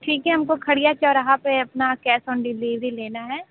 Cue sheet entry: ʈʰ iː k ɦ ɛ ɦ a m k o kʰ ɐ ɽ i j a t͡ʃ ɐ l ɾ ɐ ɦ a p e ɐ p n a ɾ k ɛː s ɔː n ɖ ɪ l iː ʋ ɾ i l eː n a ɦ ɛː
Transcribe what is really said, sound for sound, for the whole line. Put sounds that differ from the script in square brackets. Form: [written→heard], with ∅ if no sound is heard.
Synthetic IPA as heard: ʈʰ iː k ɦ ɛ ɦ [a→ɐ] m k o kʰ ɐ ɽ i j a t͡ʃ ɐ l ɾ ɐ ɦ a p e ɐ p n a [ɾ→∅] k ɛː s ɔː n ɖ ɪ l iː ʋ ɾ i l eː n a ɦ ɛː

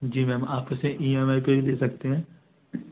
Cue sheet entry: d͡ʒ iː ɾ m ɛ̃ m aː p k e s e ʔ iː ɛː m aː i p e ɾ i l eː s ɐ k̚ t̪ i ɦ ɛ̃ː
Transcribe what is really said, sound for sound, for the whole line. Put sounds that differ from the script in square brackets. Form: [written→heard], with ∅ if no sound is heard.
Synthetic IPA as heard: d͡ʒ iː [ɾ→∅] m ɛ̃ m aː p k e s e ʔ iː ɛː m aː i p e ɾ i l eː s ɐ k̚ t̪ [i→e] ɦ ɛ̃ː

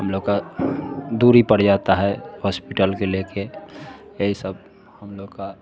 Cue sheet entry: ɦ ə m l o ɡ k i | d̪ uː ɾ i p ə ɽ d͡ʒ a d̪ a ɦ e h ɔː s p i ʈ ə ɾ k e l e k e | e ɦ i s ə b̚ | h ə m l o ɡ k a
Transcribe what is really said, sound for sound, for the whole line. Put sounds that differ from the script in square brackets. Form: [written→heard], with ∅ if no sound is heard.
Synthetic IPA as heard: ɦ ə m l o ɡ k [i→a] | d̪ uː ɾ i p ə ɽ d͡ʒ a [d̪→t̪] a ɦ [e→ɛ] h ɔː s p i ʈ ə [ɾ→l] k e l e k e | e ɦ i s ə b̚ | h ə m l o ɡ k a

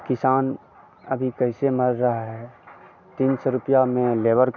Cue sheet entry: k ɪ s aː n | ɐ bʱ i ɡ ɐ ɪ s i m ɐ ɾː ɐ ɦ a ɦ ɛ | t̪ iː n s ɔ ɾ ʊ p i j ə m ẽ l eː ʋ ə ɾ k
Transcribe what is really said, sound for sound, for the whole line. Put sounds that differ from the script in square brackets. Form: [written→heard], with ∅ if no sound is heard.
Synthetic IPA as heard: k ɪ s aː n | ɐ bʱ i [ɡ→k] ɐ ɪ s [i→e] m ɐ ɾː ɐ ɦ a ɦ ɛ | t̪ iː n s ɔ ɾ ʊ p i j [ə→a] m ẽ l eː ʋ ə ɾ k

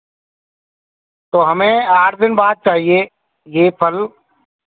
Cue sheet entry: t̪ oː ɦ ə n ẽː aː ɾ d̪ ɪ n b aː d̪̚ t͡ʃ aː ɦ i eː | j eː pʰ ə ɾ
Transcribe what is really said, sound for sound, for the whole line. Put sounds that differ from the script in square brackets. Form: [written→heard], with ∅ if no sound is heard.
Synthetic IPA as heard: t̪ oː ɦ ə [n→m] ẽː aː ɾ d̪ ɪ n b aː d̪̚ t͡ʃ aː ɦ i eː | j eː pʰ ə [ɾ→l]

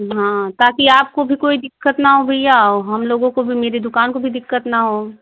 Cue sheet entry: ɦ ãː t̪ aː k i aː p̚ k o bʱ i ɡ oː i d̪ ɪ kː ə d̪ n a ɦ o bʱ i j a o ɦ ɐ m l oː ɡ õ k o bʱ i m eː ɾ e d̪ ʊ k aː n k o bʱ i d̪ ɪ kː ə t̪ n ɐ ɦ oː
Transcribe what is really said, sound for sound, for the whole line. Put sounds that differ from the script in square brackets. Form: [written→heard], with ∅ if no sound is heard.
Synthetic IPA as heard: ɦ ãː t̪ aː k i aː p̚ k o bʱ i [ɡ→k] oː i d̪ ɪ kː ə [d̪→t̪] n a ɦ o bʱ i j a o ɦ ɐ m l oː ɡ õ k o bʱ i m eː ɾ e d̪ ʊ k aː n k o bʱ i d̪ ɪ kː ə t̪ n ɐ ɦ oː

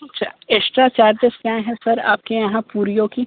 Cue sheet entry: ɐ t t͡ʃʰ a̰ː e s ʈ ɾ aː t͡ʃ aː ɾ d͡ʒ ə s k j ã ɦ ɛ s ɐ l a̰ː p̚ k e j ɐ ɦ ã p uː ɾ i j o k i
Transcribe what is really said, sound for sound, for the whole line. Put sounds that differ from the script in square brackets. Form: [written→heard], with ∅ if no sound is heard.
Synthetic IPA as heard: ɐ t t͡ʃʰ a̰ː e s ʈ ɾ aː t͡ʃ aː ɾ d͡ʒ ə s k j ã ɦ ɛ s ɐ [l→ɾ] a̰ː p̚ k e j ɐ ɦ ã p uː ɾ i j o k i

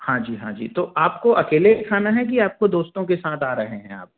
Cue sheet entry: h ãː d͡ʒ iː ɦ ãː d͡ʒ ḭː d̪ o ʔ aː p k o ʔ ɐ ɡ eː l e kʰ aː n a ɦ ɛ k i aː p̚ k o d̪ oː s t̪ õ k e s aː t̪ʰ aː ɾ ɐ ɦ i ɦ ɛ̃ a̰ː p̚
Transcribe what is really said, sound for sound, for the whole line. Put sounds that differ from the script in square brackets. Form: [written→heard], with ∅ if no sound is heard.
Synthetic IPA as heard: h ãː d͡ʒ iː ɦ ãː d͡ʒ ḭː [d̪→t̪] o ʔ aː p k o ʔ ɐ [ɡ→k] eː l e kʰ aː n a ɦ ɛ k i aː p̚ k o d̪ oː s t̪ õ k e s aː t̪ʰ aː ɾ ɐ ɦ [i→e] ɦ ɛ̃ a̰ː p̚

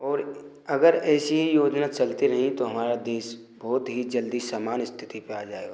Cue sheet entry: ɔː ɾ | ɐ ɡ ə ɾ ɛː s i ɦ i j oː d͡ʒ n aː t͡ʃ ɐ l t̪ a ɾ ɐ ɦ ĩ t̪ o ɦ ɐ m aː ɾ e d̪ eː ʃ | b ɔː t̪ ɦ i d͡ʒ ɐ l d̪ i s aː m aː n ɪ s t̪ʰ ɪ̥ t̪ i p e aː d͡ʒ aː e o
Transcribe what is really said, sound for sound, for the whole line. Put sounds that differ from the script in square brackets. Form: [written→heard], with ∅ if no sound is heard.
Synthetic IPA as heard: ɔː ɾ | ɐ ɡ ə ɾ ɛː s i ɦ i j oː d͡ʒ n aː t͡ʃ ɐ l t̪ [a→i] ɾ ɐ ɦ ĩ t̪ o ɦ ɐ m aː ɾ [e→a] d̪ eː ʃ | b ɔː t̪ ɦ i d͡ʒ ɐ l d̪ i s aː m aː n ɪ s t̪ʰ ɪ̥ t̪ i p e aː d͡ʒ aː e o

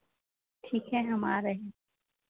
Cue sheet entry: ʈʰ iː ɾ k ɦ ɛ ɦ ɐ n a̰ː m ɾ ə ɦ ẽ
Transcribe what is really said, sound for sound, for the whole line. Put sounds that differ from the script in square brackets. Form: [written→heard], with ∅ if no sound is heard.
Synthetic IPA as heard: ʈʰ iː [ɾ→∅] k ɦ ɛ ɦ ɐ [n→m] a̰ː [m→∅] ɾ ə ɦ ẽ

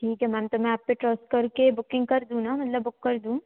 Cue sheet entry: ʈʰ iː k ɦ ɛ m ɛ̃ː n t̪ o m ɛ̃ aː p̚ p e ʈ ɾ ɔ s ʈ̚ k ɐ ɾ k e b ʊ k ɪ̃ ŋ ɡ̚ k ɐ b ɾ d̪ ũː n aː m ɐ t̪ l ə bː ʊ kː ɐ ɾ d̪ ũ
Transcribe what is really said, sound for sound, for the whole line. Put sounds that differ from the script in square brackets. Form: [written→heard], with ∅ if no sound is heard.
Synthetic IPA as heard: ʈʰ iː k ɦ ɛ m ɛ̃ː [n→m] t̪ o m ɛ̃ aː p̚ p e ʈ ɾ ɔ s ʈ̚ k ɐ ɾ k e b ʊ k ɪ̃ ŋ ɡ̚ k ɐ [b→∅] ɾ d̪ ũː n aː m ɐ t̪ l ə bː ʊ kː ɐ ɾ d̪ ũ

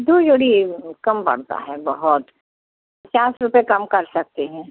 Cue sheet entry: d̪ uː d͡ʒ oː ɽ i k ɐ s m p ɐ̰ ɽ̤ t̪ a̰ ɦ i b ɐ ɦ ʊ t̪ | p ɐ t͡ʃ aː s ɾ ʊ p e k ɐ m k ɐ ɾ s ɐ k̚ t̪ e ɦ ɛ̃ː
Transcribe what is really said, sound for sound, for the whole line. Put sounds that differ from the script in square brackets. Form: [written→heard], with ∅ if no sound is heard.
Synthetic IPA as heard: d̪ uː d͡ʒ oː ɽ i k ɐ [s→∅] m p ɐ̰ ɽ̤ t̪ a̰ ɦ [i→ɛ] b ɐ ɦ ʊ t̪ | p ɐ t͡ʃ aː s ɾ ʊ p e k ɐ m k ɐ ɾ s ɐ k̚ t̪ e ɦ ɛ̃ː

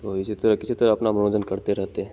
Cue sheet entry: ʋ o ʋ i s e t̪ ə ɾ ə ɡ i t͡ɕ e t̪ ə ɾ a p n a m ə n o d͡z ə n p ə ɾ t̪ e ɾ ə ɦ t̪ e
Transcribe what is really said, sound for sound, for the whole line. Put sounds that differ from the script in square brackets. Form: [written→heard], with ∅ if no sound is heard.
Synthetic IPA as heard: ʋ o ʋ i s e t̪ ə ɾ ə [ɡ→k] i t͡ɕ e t̪ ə ɾ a p n a m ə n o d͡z ə n [p→k] ə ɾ t̪ e ɾ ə ɦ t̪ e

